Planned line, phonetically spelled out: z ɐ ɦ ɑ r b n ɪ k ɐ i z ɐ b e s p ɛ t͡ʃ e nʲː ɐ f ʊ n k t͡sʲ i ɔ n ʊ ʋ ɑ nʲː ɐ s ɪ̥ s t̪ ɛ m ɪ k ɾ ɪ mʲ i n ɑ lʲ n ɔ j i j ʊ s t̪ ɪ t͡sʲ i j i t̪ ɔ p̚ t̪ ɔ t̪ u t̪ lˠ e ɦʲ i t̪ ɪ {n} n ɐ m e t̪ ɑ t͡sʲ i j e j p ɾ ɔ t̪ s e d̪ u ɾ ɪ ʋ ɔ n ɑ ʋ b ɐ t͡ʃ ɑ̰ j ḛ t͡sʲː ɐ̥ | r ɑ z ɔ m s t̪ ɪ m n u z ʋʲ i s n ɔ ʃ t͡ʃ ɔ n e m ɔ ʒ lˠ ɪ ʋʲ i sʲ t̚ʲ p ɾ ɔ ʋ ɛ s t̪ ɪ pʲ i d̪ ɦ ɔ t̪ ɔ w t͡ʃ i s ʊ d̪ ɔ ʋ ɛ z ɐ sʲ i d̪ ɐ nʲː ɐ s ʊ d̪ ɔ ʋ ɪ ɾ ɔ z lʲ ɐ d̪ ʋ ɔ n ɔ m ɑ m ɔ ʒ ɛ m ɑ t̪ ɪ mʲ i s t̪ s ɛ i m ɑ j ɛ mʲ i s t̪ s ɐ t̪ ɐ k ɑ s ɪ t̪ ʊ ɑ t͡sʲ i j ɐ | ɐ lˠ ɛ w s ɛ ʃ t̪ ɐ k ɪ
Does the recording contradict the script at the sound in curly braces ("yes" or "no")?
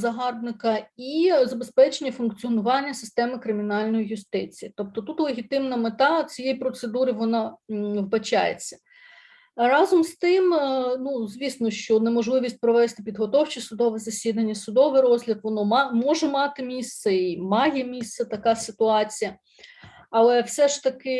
yes